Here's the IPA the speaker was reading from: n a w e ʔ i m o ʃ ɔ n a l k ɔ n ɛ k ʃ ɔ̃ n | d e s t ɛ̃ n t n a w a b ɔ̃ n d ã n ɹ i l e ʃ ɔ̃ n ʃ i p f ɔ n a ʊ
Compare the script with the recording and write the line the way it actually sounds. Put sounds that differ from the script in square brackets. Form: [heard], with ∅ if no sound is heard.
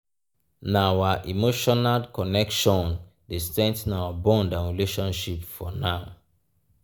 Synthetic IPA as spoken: n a w [a] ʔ i m o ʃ ɔ n a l k ɔ n ɛ k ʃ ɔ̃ n | d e s t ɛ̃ n t n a w a b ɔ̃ n d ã n ɹ i l e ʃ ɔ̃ n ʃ i p f ɔ n a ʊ